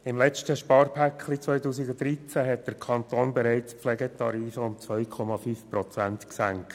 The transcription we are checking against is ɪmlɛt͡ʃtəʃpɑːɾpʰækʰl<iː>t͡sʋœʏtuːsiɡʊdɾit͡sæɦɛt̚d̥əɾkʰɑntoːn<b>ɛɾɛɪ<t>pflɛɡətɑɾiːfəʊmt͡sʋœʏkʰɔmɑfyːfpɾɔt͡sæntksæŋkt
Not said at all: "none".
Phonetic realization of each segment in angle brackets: i, b, t͡s

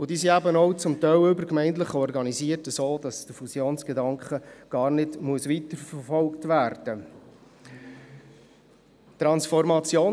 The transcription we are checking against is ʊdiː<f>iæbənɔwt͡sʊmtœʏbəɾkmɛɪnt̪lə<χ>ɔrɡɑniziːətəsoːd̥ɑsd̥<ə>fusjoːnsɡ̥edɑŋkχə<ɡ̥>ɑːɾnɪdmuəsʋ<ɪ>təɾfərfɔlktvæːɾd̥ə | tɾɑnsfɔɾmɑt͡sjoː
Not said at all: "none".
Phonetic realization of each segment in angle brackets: s, χ, ə, ɡ̥, i

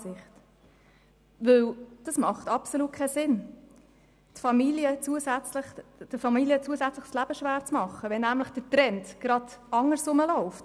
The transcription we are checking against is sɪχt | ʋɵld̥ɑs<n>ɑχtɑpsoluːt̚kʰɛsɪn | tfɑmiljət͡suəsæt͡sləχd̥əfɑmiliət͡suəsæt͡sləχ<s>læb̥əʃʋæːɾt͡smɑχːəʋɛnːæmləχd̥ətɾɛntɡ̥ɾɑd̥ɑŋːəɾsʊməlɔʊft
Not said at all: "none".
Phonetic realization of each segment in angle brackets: m, s

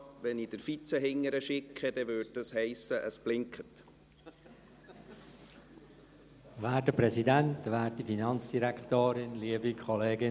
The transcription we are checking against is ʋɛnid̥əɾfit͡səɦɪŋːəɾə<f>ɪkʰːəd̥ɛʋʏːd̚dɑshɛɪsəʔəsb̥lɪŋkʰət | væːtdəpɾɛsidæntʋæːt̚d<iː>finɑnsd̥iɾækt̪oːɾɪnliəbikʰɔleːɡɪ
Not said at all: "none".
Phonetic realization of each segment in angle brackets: ʃ, i

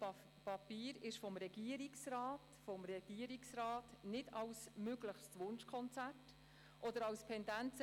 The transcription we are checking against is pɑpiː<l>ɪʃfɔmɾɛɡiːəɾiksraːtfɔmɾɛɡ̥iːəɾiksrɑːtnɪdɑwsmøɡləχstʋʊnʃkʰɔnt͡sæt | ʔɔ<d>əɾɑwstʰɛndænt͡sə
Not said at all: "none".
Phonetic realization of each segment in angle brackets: ɾ, d

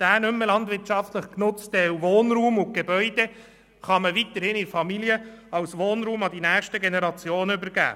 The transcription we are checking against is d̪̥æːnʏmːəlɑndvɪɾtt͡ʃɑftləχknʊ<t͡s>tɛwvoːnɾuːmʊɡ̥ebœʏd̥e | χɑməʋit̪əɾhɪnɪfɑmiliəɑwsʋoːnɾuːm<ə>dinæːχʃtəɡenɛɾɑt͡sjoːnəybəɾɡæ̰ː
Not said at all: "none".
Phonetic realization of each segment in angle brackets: t͡s, ɑ

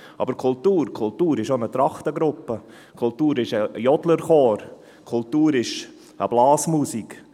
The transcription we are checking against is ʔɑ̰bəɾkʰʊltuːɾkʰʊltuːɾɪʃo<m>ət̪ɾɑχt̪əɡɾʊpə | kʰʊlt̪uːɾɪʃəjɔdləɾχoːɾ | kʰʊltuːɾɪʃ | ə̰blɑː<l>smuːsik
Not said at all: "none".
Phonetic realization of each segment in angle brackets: n, none

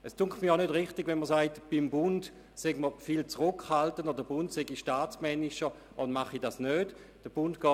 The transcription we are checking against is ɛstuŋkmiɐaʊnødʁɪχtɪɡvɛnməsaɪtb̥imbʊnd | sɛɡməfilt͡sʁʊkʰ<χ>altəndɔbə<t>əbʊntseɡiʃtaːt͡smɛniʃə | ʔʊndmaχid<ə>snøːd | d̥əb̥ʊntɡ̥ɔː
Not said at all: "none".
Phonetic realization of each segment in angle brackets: h, d, a

